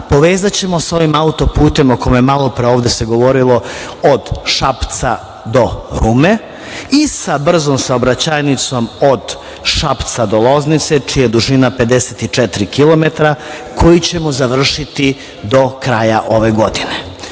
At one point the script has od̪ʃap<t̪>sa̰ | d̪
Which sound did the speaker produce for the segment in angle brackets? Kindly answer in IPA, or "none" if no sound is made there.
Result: t̪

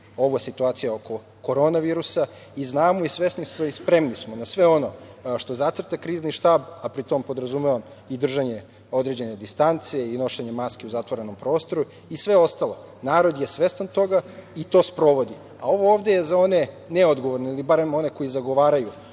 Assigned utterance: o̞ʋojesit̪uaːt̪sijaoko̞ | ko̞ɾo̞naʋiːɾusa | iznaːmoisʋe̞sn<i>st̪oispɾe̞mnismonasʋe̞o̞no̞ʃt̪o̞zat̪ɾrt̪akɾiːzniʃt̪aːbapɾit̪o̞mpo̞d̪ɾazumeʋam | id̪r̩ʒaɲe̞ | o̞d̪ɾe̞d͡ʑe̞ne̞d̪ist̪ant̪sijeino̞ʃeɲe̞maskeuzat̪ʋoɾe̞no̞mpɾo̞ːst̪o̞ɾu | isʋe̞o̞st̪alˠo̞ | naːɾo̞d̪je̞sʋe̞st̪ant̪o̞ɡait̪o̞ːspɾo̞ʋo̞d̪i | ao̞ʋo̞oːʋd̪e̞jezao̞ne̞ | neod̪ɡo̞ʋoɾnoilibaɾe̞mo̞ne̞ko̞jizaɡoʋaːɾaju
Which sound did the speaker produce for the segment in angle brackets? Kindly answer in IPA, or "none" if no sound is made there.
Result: i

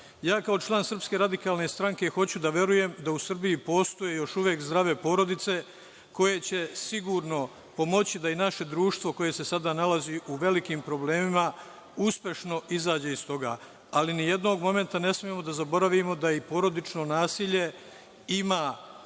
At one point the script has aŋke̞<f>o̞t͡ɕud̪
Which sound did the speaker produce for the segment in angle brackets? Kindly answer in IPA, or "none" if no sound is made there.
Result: x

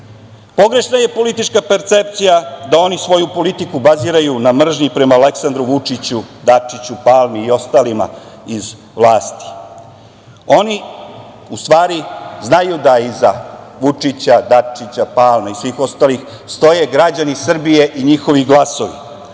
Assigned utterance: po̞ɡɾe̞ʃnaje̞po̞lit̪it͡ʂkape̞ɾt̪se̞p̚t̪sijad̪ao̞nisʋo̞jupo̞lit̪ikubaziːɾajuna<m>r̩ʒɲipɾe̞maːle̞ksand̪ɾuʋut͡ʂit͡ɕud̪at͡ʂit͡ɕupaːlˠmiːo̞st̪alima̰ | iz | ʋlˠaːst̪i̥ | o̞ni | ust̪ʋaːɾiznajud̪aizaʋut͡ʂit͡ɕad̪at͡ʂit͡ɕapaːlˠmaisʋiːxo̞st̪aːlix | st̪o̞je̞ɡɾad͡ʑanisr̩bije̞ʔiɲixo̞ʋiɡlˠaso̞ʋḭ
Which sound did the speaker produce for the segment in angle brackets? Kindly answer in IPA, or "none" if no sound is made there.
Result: m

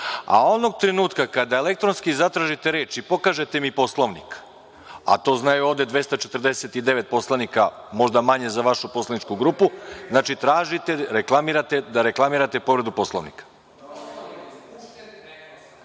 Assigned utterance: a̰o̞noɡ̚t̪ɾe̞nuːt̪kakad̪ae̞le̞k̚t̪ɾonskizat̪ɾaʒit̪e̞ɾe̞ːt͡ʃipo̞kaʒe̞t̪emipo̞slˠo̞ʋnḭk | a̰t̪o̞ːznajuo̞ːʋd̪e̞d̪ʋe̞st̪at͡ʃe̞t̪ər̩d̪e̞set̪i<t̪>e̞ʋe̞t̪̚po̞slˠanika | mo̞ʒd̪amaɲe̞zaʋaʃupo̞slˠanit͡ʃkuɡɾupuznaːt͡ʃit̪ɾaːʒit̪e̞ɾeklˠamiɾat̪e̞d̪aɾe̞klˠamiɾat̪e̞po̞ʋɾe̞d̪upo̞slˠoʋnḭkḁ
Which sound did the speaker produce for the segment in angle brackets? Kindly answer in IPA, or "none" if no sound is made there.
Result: d̪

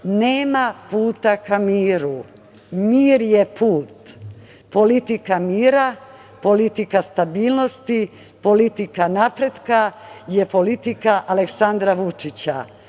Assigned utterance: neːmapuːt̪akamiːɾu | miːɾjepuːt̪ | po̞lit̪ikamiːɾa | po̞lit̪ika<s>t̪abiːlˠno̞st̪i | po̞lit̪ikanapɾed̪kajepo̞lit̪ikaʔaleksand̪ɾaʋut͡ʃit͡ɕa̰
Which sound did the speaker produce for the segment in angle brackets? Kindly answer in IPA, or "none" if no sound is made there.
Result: s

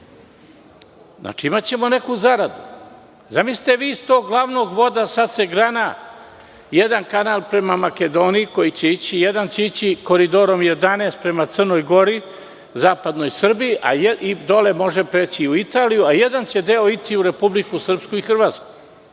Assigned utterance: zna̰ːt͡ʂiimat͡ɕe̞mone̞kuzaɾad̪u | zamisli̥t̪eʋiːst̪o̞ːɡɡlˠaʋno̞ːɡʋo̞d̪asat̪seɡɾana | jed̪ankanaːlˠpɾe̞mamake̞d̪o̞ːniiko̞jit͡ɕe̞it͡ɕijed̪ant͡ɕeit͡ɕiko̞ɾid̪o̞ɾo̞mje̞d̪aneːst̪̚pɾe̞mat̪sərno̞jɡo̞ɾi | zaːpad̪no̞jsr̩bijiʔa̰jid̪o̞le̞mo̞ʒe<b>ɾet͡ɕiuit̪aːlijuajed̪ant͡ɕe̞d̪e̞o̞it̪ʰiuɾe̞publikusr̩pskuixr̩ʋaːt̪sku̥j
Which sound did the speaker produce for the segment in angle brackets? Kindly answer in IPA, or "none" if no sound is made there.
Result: p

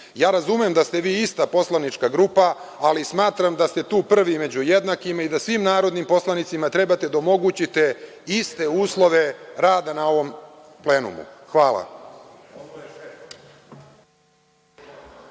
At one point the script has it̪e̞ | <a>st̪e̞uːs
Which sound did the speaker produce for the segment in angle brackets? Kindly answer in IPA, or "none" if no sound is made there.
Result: i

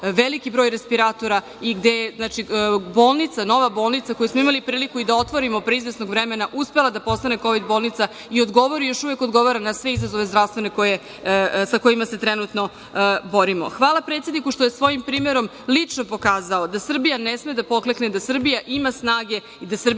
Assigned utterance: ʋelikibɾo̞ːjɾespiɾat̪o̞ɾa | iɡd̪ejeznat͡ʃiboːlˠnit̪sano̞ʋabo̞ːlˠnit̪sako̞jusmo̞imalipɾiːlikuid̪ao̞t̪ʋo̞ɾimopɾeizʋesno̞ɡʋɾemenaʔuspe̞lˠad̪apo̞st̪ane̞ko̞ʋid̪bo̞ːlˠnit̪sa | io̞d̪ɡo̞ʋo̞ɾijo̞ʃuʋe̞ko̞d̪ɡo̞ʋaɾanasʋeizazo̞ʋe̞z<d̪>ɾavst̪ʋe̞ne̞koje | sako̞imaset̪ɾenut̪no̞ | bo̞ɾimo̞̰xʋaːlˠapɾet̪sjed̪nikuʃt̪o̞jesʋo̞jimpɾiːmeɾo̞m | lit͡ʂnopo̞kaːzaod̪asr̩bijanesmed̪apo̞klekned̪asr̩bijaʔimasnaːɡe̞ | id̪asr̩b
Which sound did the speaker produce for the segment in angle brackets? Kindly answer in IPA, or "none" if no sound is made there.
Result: d̪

